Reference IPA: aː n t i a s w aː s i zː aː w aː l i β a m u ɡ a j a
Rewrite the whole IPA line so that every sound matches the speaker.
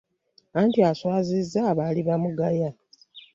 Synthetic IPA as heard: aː n t i a s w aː z i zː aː β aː l i β a m u ɡ a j a